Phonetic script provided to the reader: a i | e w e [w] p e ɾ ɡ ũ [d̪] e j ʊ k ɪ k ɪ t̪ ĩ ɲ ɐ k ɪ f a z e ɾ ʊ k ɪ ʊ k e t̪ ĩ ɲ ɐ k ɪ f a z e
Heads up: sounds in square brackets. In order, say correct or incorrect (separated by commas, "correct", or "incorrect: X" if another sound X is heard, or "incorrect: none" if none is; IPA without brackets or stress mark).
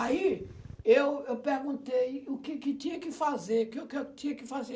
correct, incorrect: t̪